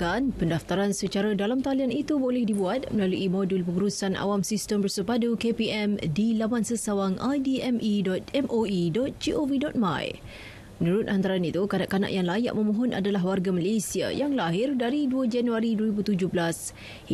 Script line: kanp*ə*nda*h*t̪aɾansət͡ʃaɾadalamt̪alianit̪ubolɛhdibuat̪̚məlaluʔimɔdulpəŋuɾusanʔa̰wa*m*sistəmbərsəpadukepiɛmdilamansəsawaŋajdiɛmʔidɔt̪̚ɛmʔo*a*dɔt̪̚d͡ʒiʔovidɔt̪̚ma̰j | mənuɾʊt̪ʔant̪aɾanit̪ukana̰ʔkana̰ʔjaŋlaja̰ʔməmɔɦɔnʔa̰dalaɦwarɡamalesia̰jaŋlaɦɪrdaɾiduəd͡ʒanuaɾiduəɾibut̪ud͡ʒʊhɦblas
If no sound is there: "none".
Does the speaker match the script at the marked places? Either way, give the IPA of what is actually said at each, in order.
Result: ə, f, m, i

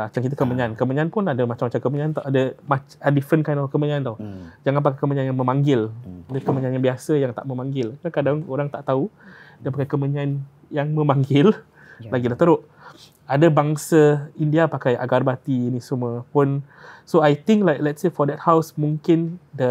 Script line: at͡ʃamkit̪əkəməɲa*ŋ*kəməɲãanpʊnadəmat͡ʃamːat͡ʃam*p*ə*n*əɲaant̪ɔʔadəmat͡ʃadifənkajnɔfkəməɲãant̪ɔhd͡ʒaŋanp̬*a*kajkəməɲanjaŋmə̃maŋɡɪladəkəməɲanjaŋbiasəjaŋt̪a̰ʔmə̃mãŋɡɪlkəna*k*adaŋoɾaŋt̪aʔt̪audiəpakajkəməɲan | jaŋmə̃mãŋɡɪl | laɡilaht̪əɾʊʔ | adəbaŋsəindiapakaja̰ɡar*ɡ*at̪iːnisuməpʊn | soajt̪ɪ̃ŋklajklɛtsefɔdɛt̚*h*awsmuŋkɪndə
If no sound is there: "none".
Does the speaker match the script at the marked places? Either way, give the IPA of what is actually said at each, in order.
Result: n, k, m, a, k, b, h

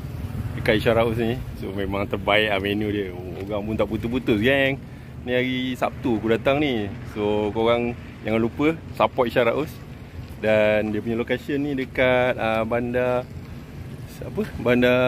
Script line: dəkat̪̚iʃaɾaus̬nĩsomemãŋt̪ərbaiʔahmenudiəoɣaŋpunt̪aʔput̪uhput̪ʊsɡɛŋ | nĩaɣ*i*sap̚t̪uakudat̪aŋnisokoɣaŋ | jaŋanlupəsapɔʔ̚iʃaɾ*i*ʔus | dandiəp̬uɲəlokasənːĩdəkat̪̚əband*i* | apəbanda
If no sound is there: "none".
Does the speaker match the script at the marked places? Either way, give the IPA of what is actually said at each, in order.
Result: i, a, a

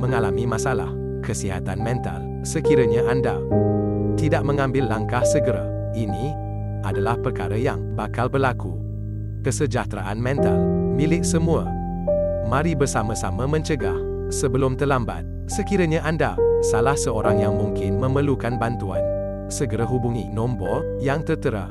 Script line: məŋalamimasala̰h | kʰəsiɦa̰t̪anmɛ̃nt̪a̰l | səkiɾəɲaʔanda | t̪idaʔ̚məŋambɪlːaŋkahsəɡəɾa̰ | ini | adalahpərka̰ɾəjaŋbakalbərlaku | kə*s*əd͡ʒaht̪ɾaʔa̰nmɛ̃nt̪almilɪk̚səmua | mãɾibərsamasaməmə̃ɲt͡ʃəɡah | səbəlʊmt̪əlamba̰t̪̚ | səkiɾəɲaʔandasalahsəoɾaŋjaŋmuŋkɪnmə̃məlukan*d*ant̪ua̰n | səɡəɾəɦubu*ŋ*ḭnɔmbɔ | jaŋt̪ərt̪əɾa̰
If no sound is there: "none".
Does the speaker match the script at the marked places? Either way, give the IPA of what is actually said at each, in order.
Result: s, b, ŋ

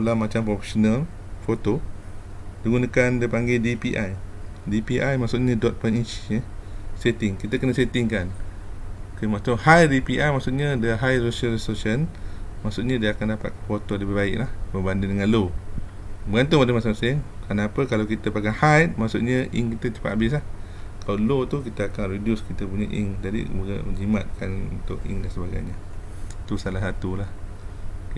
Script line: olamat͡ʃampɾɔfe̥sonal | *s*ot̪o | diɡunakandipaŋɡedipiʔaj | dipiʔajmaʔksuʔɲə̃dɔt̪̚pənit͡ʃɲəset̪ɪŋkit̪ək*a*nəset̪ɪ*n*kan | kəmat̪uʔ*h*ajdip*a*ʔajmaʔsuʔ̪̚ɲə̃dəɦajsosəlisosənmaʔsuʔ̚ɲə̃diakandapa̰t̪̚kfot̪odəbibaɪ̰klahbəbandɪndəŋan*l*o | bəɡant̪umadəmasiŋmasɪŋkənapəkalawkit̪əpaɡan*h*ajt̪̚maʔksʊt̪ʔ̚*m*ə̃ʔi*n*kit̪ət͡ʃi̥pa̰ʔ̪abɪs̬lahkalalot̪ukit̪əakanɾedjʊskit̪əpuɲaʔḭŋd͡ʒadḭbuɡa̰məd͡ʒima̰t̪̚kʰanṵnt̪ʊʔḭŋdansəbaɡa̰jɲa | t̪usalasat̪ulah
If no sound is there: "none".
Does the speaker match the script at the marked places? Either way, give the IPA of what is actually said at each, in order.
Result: f, ə, ŋ, h, i, l, h, ɲ, ŋ

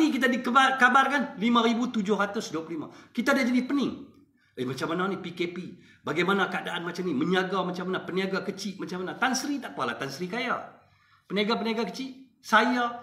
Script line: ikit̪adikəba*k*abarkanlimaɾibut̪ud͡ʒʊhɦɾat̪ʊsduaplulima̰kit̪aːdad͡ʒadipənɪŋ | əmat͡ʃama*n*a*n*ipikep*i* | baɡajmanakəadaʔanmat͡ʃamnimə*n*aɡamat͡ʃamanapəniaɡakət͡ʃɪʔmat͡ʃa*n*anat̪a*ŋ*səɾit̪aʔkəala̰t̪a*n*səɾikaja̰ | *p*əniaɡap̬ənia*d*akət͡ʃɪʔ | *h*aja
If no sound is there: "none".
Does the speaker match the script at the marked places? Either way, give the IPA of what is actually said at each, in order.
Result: k, n, n, i, ɲ, m, n, n, p, ɡ, s

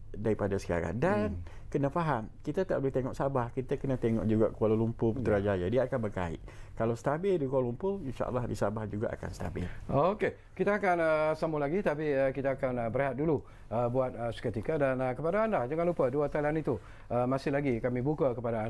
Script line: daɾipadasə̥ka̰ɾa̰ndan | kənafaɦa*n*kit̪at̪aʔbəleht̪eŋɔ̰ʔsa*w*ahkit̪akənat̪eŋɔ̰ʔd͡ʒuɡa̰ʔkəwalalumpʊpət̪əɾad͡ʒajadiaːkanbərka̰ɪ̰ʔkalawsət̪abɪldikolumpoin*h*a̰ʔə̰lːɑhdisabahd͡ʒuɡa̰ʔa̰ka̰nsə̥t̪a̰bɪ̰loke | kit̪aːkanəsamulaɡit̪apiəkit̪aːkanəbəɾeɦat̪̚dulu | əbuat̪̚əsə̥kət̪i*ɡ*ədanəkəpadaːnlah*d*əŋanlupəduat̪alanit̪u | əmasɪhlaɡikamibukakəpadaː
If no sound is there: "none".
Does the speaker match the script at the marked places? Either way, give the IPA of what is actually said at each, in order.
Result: m, b, ʃ, k, d͡ʒ

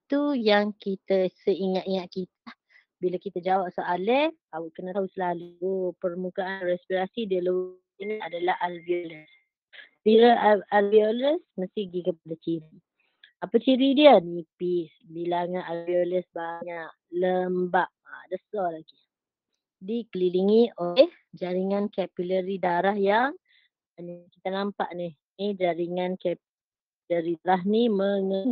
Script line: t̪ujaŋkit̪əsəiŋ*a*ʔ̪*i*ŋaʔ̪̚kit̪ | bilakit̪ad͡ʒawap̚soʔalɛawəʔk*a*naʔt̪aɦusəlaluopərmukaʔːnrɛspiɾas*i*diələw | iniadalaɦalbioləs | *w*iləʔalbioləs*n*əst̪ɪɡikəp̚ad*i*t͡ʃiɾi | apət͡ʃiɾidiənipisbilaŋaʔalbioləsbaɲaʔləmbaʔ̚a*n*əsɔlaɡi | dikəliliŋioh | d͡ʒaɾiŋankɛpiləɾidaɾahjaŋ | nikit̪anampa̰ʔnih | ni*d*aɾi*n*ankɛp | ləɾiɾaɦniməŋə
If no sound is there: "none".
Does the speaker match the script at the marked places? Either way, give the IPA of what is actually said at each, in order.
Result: a, i, ə, i, b, m, a, d, d͡ʒ, ŋ

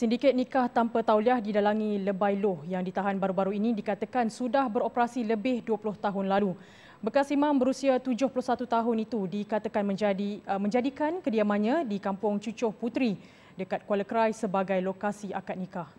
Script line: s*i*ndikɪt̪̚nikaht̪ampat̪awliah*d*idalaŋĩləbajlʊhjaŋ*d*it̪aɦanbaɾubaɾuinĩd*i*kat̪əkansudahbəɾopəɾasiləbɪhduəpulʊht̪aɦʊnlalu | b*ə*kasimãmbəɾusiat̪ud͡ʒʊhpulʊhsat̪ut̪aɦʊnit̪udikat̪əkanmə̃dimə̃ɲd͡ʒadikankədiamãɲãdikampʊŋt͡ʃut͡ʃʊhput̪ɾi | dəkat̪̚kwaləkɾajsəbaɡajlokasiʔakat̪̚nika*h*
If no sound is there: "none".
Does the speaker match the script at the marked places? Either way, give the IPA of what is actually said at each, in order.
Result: i, d, d, i, ə, h

